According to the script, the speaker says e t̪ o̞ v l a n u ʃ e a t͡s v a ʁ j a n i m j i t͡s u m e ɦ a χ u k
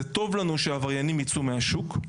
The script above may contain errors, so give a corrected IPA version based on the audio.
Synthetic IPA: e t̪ o̞ v l a n u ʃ e a v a ʁ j a n i m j i t͡s u m e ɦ a ʃ u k